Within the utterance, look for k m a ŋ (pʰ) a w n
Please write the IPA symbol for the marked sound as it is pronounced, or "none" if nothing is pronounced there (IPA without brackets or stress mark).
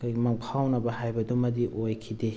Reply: pʰ